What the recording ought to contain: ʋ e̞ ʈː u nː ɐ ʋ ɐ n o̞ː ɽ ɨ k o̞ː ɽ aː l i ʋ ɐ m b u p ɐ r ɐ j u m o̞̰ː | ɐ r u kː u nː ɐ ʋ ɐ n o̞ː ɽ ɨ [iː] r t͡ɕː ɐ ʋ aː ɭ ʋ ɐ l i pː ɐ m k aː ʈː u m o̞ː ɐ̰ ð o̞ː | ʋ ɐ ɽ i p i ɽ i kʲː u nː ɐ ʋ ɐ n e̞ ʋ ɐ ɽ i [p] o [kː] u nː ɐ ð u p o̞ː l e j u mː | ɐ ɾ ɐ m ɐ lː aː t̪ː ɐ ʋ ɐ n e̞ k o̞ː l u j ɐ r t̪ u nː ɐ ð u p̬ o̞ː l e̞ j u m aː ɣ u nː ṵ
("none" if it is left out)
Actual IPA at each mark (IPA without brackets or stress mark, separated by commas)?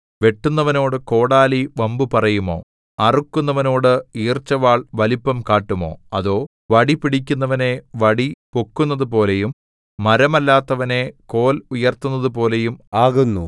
iː, p, kː